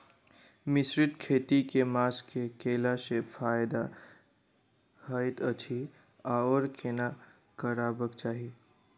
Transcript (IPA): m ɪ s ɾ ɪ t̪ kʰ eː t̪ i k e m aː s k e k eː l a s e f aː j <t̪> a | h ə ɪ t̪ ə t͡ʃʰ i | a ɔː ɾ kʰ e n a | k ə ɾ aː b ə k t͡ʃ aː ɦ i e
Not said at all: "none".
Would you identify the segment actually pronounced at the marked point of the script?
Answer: d̪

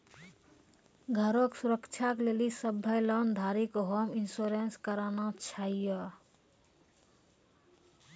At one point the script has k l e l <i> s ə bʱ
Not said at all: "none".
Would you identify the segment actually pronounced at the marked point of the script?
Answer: i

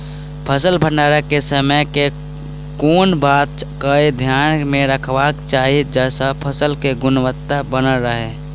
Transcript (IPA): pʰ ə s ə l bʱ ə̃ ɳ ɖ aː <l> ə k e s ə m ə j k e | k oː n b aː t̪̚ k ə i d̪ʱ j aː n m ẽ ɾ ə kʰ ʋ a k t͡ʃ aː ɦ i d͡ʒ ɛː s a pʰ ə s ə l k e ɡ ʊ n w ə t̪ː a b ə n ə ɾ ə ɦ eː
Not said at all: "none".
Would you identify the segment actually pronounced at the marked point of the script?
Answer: ɾ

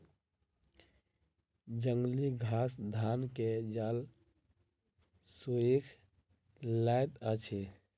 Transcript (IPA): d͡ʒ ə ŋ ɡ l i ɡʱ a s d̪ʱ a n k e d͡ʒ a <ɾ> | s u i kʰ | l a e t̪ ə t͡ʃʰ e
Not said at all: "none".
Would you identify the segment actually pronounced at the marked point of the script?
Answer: l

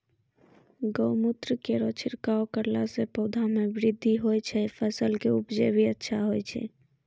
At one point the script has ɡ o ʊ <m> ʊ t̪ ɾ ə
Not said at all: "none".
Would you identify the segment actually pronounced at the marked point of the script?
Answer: m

